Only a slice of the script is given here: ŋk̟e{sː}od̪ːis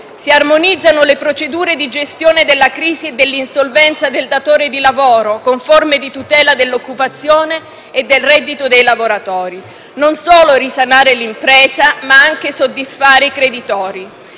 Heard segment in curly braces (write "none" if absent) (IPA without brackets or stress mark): s